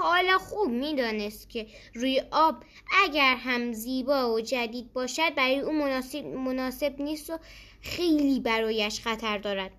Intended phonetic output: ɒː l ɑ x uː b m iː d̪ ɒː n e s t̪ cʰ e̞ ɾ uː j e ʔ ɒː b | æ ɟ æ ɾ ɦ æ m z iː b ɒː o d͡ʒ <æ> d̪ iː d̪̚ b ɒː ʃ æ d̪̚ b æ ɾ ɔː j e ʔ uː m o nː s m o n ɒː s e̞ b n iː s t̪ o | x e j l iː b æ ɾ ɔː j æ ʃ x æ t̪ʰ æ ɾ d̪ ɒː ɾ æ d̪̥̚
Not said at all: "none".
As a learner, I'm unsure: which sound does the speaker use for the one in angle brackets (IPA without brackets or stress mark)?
æ